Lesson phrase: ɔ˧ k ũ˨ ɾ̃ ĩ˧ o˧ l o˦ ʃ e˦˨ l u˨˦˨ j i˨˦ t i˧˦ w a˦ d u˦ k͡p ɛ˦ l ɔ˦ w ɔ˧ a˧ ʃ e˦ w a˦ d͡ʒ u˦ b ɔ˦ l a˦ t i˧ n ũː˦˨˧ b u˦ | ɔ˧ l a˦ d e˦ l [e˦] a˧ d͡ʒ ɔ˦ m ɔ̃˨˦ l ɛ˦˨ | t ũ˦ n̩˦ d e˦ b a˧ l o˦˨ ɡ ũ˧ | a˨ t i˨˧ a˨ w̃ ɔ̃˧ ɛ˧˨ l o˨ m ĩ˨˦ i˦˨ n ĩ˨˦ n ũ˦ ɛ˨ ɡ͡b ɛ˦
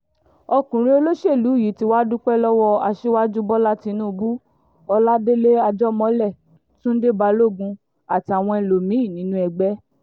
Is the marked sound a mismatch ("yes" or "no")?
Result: no